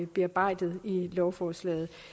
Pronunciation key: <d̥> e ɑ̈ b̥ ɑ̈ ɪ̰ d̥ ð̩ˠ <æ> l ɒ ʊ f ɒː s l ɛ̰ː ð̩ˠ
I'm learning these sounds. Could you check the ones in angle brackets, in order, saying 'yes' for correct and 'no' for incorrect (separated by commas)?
no, no